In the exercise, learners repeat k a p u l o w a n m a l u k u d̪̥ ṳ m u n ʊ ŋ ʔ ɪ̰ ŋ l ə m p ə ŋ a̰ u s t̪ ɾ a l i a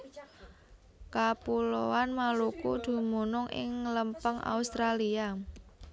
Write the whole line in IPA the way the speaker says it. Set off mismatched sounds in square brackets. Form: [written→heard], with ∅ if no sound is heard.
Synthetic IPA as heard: k a p u l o w a n m a l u k u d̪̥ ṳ m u n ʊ ŋ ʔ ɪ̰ ŋ l ə m p ə ŋ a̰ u s t̪ ɾ a l i a

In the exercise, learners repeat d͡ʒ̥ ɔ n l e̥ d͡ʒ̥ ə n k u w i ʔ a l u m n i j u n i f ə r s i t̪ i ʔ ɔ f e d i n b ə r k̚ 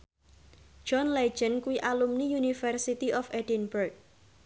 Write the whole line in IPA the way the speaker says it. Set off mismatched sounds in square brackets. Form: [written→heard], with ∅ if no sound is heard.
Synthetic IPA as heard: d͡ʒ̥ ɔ n l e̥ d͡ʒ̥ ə n k u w i ʔ a l u m n i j u n i f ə r s i t̪ i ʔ ɔ f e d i n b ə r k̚

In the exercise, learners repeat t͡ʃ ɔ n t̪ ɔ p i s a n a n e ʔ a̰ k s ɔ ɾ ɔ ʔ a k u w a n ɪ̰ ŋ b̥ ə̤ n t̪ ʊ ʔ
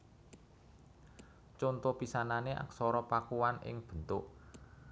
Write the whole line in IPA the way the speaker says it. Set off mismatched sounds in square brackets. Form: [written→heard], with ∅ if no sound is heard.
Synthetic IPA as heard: t͡ʃ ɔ n t̪ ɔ p i s a n a n e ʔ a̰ k s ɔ ɾ ɔ [ʔ→p] a k u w a n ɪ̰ ŋ b̥ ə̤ n t̪ ʊ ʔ

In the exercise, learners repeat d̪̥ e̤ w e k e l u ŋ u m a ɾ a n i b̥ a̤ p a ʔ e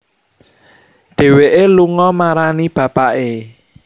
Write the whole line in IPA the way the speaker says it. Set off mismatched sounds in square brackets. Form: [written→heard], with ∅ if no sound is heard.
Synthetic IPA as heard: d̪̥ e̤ w e [k→ʔ] e l u ŋ [u→ɔ] m a ɾ a n i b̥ a̤ p a ʔ e

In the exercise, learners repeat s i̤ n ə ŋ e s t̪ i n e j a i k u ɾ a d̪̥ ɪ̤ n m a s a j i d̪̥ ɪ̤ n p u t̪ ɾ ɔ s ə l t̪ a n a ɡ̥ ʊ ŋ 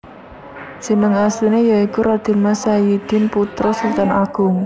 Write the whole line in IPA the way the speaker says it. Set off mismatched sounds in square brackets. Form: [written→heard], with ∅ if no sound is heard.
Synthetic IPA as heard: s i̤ n ə ŋ [e→a] s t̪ i n e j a i k u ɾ a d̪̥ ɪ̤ n m a s a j i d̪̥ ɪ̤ n p u t̪ ɾ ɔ s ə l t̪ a n a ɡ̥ ʊ ŋ

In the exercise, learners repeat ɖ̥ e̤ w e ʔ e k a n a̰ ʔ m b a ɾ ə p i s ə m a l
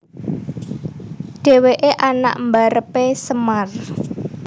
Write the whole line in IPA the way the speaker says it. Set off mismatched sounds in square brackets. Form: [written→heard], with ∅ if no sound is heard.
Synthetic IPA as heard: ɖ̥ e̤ w e ʔ e [k→ʔ] a n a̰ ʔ m b a ɾ ə p [i→e] s ə m a [l→r]

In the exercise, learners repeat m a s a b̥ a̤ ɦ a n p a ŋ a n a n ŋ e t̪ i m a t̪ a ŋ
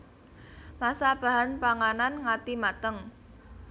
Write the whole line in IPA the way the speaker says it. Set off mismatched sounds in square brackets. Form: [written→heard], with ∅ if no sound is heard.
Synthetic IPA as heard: m a s a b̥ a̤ ɦ a n p a ŋ a n a n ŋ [e→a] t̪ i m a t̪ [a→ə] ŋ

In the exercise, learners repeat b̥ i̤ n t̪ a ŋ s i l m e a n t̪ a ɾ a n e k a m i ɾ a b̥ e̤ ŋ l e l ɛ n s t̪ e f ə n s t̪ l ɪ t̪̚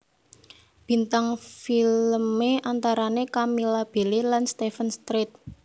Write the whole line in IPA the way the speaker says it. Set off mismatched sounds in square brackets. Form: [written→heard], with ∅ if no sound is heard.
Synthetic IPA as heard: b̥ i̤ n t̪ a ŋ [s→f] i l m e a n t̪ a ɾ a n e k a m i [ɾ→l] a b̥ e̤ [ŋ→∅] l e l [ɛ→a] n s t̪ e f ə n s t̪ [l→ɾ] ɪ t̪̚

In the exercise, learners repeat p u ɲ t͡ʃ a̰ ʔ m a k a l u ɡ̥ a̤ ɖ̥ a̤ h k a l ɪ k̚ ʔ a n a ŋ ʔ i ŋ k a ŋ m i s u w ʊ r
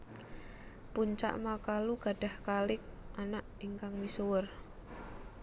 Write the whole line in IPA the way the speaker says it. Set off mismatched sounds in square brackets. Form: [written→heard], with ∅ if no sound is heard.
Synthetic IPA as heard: p u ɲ t͡ʃ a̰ ʔ m a k a l u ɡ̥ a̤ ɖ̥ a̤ h k a l ɪ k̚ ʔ a n a [ŋ→∅] ʔ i ŋ k a ŋ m i s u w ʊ r

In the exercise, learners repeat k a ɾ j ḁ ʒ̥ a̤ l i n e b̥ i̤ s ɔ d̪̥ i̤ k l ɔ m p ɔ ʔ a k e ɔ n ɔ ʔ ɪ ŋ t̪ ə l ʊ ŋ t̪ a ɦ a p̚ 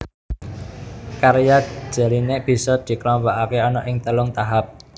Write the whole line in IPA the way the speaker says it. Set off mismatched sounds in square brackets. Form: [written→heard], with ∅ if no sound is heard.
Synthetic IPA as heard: k a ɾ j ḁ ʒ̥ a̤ l i n e b̥ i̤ s ɔ d̪̥ i̤ k l ɔ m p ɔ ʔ a k e ɔ n ɔ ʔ ɪ ŋ t̪ ə l ʊ ŋ t̪ a ɦ a p̚

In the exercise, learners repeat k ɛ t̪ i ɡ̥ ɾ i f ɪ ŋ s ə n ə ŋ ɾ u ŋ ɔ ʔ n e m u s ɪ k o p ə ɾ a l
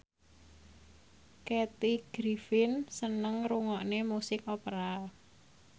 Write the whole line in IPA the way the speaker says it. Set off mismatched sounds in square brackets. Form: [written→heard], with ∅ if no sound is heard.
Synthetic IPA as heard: k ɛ t̪ i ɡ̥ ɾ i f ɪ [ŋ→n] s ə n ə ŋ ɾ u ŋ ɔ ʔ n e m u s ɪ k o p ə ɾ a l

